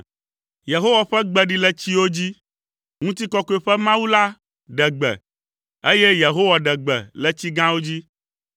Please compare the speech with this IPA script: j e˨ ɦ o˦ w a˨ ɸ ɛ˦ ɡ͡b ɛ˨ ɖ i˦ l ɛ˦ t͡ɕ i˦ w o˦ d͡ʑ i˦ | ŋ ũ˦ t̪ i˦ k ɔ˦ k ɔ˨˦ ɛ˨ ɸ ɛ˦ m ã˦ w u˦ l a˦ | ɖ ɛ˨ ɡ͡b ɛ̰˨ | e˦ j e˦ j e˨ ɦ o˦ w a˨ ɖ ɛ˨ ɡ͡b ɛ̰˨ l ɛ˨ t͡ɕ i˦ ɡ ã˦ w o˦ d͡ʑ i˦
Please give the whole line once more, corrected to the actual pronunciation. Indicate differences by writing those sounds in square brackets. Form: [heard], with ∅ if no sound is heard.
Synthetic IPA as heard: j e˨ ɦ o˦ w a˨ ɸ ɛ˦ ɡ͡b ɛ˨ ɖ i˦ l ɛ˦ t͡ɕ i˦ w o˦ d͡ʑ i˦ | ŋ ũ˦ t̪ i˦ k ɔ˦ k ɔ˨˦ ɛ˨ ɸ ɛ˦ m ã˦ w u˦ l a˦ | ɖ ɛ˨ ɡ͡b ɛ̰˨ | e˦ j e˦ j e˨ ɦ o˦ w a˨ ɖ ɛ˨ ɡ͡b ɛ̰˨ l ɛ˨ t͡ɕ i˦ ɡ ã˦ w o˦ d͡ʑ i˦